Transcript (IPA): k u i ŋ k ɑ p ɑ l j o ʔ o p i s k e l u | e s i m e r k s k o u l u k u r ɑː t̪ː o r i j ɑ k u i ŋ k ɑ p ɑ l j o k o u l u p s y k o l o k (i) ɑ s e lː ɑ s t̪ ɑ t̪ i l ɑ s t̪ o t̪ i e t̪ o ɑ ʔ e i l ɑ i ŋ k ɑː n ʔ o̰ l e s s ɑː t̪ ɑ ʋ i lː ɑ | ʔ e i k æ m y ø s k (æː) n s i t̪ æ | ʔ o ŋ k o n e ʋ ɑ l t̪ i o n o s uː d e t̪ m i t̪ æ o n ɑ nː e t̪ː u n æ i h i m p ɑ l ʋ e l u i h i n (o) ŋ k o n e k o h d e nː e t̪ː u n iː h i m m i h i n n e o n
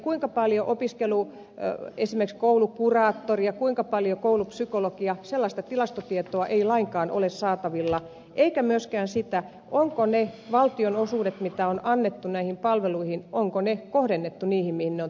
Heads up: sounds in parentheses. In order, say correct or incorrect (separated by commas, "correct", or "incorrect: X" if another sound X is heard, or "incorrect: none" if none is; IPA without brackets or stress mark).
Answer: correct, correct, correct